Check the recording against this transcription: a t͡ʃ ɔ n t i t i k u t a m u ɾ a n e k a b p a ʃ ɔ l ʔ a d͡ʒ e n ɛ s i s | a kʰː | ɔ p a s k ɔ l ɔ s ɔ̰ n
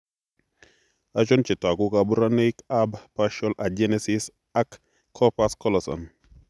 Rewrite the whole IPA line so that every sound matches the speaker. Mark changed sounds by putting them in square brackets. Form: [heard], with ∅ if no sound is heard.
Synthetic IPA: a t͡ʃ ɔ n [t͡ʃ] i t [a] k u [k] a [b] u ɾ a n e k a b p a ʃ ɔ l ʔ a d͡ʒ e n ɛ s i s | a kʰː | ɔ p a s k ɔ l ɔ s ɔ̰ n